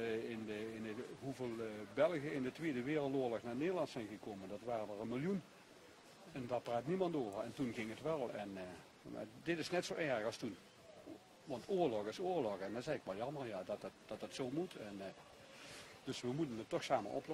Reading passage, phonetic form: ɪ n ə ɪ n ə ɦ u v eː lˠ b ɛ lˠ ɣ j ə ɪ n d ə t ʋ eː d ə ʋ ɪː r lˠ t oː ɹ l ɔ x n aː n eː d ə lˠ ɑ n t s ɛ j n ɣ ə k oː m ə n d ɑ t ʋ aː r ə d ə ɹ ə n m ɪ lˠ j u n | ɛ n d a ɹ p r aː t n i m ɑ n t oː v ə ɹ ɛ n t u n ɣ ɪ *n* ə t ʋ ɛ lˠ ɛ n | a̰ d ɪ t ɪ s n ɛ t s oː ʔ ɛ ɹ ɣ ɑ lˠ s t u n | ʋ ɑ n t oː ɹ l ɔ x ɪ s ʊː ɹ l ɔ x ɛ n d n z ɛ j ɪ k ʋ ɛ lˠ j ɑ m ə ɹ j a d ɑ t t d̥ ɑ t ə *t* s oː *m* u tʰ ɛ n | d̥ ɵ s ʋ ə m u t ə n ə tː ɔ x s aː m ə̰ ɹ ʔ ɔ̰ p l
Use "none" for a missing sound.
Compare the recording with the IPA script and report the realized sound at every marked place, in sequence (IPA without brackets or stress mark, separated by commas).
ŋ, t, m